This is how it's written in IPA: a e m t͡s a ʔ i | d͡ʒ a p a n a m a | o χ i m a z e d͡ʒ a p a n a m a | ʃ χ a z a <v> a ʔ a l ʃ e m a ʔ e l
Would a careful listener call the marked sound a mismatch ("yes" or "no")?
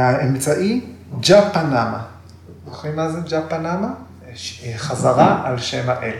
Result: yes